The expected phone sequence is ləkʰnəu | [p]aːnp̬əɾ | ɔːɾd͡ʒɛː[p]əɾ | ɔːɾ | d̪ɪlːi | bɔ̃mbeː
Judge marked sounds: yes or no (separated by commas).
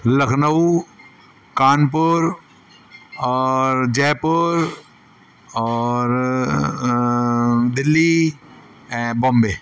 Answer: no, yes